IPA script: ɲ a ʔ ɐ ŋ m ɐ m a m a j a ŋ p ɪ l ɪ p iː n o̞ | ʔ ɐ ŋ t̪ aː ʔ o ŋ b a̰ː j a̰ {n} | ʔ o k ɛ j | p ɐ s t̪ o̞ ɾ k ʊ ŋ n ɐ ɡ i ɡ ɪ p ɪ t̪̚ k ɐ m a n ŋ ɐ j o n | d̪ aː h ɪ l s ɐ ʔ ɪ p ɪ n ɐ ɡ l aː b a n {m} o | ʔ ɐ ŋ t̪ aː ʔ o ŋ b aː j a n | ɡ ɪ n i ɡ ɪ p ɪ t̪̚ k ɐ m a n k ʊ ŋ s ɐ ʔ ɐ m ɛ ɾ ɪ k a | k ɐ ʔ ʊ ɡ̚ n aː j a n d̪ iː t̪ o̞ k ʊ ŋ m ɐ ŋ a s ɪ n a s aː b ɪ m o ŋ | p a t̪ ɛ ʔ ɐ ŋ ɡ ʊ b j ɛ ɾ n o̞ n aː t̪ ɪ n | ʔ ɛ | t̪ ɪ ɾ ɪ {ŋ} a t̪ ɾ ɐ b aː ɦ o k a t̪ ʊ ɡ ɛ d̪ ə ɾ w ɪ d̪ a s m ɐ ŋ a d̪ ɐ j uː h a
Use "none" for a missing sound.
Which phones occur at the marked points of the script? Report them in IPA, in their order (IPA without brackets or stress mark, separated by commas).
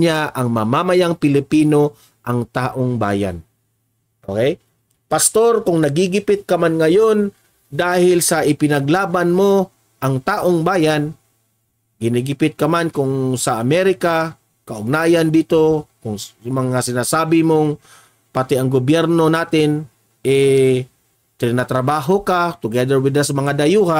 n, m, n